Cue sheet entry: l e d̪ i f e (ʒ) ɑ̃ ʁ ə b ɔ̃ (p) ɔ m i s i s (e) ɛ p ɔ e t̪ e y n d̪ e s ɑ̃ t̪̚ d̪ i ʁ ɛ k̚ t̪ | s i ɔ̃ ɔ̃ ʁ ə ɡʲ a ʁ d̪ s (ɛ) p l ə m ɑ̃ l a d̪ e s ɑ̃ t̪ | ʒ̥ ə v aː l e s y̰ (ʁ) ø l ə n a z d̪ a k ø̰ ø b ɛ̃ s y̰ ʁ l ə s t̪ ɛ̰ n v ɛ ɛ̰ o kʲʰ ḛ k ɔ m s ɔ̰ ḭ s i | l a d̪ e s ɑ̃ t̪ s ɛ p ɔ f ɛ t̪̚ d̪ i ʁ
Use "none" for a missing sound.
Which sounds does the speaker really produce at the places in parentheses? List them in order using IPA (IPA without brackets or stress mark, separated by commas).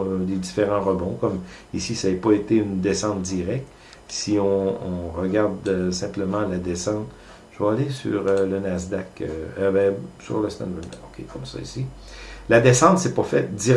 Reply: ʁ, k, a, ɛ̃, ʁ